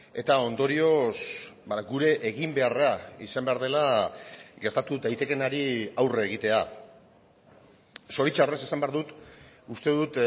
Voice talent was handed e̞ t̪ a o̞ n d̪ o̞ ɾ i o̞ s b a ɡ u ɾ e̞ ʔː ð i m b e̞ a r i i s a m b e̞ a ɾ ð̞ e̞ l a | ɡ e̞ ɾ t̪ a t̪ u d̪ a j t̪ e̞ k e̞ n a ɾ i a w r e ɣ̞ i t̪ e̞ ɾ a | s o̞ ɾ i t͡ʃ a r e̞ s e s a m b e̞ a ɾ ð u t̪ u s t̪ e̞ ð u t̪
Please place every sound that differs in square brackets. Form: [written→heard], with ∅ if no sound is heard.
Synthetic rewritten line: e̞ t̪ a o̞ n d̪ o̞ ɾ i o̞ s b a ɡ u ɾ e̞ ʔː [ð→ɣ] i m b e̞ a r [i→a] i s a m b e̞ a ɾ ð̞ e̞ l a | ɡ e̞ ɾ t̪ a t̪ u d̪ a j t̪ e̞ k e̞ n a ɾ i a w r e ɣ̞ i t̪ e̞ [ɾ→∅] a | s o̞ ɾ i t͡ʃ a r e̞ s e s a m b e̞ a ɾ ð u t̪ u s t̪ e̞ ð u t̪